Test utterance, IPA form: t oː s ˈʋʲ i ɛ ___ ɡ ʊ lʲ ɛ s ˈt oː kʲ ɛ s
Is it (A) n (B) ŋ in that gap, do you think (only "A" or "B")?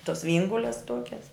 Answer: B